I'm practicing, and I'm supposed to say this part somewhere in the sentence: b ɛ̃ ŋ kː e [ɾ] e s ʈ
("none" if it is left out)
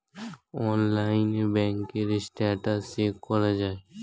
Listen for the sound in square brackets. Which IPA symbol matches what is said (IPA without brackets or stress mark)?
ɾ